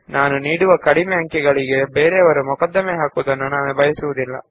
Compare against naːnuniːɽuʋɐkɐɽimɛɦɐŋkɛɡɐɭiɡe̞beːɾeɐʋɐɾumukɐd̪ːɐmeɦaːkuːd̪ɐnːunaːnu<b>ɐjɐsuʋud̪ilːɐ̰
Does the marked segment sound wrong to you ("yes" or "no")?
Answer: no